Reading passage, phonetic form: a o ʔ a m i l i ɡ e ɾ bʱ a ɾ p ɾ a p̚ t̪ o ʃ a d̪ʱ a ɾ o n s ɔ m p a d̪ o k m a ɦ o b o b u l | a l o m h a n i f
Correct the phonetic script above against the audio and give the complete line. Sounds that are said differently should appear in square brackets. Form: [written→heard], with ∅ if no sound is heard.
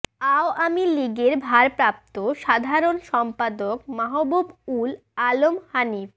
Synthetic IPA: a o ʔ a m i l i ɡ e ɾ bʱ a ɾ p ɾ a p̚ t̪ o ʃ a d̪ʱ a ɾ o n [s→ʃ] ɔ m p a d̪ o k m a ɦ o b o b u l | a l o m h a n i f